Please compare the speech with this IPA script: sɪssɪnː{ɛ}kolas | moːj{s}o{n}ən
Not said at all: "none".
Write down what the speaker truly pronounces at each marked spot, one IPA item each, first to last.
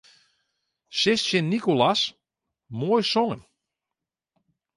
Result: i, s, ŋ

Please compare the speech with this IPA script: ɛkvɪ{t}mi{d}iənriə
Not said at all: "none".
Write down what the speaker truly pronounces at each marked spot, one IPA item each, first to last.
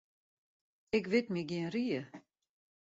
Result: t, ɡ

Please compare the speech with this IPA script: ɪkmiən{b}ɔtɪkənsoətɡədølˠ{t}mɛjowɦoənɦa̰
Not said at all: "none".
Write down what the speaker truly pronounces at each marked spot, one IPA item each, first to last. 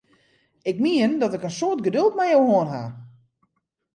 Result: d, t

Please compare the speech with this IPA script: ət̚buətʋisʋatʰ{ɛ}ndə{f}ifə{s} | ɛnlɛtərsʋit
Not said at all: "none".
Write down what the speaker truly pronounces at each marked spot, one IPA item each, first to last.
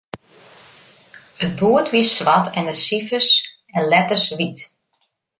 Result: ɛ, s, s

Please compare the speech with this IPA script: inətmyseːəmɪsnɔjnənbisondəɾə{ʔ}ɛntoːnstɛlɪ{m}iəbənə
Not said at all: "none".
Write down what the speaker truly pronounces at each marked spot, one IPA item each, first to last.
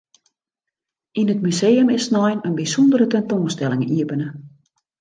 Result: t, ŋ

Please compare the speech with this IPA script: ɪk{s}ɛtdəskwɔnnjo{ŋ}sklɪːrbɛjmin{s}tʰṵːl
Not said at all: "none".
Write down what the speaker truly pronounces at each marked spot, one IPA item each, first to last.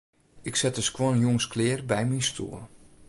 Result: s, ŋ, s

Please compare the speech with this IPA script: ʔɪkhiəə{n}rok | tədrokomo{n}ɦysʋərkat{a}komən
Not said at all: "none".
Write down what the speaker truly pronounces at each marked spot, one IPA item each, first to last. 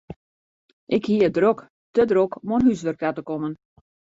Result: d, n, ə

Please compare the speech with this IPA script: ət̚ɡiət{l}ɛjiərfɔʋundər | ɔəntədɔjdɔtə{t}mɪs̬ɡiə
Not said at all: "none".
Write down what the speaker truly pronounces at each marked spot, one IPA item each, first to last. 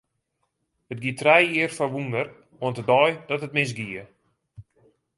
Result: r, t

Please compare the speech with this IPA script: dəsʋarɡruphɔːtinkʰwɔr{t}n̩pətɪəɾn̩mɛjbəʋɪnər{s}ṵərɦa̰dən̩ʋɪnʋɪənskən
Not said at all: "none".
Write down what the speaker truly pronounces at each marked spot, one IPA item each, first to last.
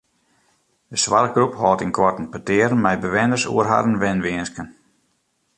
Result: t, s

